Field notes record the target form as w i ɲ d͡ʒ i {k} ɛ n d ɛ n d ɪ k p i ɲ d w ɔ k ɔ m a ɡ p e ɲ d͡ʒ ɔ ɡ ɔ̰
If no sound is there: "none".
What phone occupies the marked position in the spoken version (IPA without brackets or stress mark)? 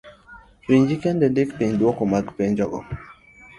k